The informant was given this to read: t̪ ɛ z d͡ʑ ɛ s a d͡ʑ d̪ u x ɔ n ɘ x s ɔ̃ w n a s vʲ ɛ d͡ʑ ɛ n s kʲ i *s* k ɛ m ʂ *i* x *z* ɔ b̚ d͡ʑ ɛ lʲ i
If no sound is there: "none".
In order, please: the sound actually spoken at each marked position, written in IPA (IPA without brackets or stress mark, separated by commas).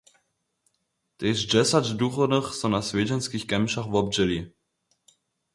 x, a, v